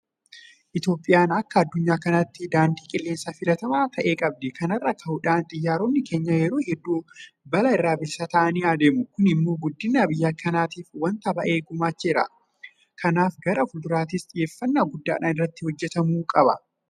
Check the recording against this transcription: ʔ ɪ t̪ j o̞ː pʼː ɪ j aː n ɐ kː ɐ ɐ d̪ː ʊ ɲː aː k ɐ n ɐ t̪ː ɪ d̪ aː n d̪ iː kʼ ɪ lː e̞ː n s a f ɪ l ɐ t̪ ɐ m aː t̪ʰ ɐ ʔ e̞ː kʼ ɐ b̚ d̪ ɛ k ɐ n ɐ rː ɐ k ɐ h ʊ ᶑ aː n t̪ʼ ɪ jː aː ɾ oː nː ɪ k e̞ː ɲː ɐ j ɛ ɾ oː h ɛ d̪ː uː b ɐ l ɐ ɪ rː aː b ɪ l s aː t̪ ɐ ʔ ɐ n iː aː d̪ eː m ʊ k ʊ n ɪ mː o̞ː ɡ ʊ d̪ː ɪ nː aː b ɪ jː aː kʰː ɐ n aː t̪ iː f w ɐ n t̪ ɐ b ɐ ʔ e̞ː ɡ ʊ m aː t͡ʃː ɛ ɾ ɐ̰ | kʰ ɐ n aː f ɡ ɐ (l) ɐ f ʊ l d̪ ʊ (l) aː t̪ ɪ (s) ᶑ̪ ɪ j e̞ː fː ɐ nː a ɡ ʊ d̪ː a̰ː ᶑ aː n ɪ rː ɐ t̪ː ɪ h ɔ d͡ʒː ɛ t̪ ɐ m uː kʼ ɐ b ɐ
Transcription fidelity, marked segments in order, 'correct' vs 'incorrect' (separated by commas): incorrect, incorrect, correct